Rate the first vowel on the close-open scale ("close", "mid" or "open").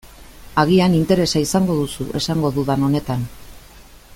open